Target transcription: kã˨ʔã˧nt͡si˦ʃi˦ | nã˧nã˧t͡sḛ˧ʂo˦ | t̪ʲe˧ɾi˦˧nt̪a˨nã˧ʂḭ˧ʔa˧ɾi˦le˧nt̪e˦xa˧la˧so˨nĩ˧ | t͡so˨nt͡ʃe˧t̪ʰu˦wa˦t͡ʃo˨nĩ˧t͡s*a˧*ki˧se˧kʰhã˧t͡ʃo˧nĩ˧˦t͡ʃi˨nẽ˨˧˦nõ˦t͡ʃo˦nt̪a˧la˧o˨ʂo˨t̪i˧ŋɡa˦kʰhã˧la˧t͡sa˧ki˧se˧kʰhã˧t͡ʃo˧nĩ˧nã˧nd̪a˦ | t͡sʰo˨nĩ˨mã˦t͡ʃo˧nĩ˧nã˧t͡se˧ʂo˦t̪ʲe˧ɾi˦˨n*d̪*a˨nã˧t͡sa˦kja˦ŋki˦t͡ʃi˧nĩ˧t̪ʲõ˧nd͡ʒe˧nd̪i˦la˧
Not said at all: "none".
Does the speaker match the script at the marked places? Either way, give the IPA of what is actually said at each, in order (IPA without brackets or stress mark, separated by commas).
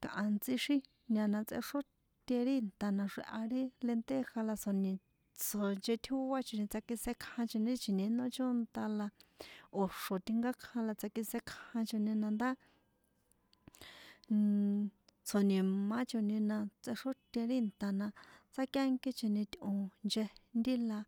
a˧, t̪